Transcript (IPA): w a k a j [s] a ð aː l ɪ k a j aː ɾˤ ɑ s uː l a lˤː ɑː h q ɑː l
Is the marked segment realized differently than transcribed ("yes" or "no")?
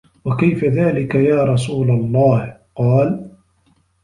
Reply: yes